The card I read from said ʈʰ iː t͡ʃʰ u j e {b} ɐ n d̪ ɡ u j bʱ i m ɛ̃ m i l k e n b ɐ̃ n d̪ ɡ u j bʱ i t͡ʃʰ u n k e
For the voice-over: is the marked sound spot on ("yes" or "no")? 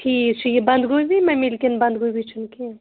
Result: yes